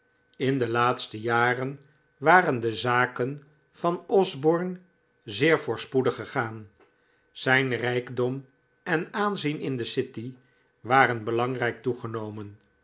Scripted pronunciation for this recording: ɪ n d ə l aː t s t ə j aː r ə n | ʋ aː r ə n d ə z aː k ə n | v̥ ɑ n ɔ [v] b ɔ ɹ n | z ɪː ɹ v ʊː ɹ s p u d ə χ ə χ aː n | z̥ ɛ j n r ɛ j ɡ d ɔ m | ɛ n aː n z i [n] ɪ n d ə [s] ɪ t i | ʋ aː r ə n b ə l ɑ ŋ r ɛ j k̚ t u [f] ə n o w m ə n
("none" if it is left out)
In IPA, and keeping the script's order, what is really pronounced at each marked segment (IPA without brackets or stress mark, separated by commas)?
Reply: z, n, s, χ